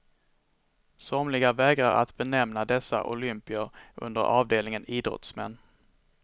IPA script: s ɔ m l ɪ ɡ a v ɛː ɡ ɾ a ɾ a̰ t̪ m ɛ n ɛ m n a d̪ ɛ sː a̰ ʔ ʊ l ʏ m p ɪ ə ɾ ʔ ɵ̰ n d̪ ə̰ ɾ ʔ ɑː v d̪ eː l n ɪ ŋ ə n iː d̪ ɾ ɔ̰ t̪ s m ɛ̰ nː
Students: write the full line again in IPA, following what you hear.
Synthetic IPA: s ɔ m l ɪ ɡ a v ɛː ɡ ɾ a ɾ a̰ t̪ b ɛ n ɛ m n a d̪ ɛ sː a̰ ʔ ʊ l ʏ m p ɪ ə ɾ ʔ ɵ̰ n d̪ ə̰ ɾ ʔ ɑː v d̪ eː l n ɪ ŋ ə n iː d̪ ɾ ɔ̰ t̪ s m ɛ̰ nː

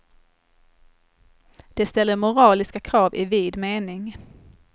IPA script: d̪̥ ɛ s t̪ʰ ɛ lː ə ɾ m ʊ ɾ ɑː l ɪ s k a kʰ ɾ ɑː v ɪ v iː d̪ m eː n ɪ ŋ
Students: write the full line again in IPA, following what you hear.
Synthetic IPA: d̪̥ ɛ s t̪ ɛ lː ə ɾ m ʊ ɾ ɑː l ɪ s k a kʰ ɾ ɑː v ɪ v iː d̪ m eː n ɪ ŋ

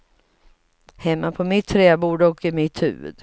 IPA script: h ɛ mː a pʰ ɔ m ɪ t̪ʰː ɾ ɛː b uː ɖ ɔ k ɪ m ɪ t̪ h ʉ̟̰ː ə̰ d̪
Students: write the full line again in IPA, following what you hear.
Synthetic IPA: h ɛ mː a pʰ ɔ m ɪ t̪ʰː ɾ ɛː b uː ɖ ɔ k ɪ m ɪ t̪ h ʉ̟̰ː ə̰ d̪

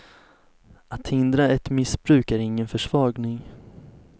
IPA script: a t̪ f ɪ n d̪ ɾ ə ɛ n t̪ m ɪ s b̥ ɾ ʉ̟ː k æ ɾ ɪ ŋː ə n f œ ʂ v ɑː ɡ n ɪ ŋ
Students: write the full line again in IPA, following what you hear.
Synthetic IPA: a t̪ h ɪ n d̪ ɾ a ɛ t̪ m ɪ s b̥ ɾ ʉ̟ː k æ ɾ ɪ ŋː ə n f œ ʂ v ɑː ɡ n ɪ ŋ

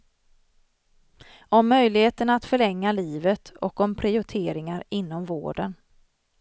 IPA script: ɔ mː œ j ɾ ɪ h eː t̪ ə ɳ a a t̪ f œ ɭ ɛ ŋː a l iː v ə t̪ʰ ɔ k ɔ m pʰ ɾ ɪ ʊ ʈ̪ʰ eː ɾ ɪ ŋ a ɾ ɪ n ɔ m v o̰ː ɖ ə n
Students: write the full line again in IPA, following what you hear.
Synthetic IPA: ɔ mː œ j l ɪ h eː t̪ ə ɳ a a t̪ f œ ɭ ɛ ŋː a l iː v ə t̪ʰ ɔ k ɔ m pʰ ɾ ɪ ʊ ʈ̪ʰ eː ɾ ɪ ŋ a ɾ ɪ nː ɔ m v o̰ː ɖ ə n

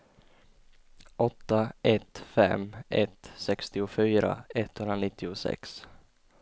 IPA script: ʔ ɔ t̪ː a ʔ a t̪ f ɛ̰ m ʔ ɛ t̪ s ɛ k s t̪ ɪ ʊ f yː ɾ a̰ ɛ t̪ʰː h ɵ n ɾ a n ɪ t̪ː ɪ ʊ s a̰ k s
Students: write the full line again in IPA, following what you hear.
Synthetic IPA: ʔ ɔ t̪ː a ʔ ɛ t̪ f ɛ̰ m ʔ ɛ t̪ s ɛ k s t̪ ɪ ʊ f yː ɾ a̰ ɛ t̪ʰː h ɵ n ɾ a n ɪ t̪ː ɪ ʊ s ɛ̰ k s

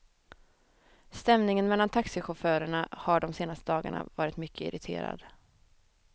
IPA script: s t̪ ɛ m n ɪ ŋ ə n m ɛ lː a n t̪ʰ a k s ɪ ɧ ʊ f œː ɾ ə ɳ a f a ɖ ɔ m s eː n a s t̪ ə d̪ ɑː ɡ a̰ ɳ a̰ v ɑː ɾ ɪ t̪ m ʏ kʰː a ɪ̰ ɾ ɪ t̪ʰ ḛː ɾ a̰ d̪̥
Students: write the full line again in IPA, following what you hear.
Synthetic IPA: s t̪ ɛ m n ɪ ŋ ə n m ɛ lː a n t̪ʰ a k s ɪ ɧ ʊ f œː ɾ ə ɳ a h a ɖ ɔ m s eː n a s t̪ ə d̪ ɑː ɡ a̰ ɳ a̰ v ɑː ɾ ɪ t̪ m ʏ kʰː ə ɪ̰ ɾ ɪ t̪ʰ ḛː ɾ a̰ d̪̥

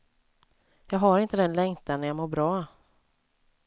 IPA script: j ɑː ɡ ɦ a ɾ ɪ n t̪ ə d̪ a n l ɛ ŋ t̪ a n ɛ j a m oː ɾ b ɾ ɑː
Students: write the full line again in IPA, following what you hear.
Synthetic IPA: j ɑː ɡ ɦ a ɾ ɪ n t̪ ə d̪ ɛ n l ɛ ŋ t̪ a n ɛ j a m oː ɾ b ɾ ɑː

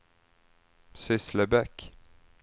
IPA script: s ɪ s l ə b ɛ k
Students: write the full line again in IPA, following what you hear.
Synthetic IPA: s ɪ s l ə b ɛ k

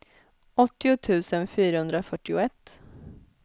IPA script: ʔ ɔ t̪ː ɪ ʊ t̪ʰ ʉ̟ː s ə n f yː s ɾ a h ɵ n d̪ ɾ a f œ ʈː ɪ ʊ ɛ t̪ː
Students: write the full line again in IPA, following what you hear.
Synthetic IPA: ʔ ɔ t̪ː ɪ ʊ t̪ʰ ʉ̟ː s ə n f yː ɾ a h ɵ n d̪ ɾ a f œ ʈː ɪ ʊ ɛ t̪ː

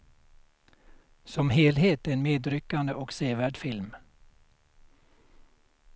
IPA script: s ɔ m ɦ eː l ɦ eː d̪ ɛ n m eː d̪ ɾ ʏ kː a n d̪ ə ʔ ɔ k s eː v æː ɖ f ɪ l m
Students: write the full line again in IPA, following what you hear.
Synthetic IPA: s ɔ m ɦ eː l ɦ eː t̪ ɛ n m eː d̪ ɾ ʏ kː a n d̪ ə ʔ ɔ k s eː v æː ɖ f ɪ l m

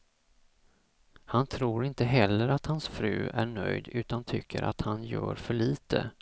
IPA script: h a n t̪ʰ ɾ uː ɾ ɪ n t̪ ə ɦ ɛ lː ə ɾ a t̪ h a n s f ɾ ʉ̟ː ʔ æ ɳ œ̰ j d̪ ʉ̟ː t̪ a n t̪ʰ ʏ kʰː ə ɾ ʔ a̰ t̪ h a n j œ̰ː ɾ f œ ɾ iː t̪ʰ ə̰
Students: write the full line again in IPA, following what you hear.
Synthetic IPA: h a n t̪ʰ ɾ uː ɾ ɪ n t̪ ə ɦ ɛ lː ə ɾ a t̪ h a n s f ɾ ʉ̟ː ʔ æ ɳ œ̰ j d̪ ʉ̟ː t̪ a n t̪ʰ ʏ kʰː ə ɾ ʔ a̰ t̪ h a n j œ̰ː ɾ f œ ɭ iː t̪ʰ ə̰

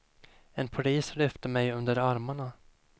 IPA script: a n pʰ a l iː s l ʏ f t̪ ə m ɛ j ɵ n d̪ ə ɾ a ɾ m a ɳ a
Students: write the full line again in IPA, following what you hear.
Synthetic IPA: ɛ n pʰ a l iː s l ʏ f t̪ ə m ɛ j ɵ n d̪ ə ɾ a ɾ m a ɳ a

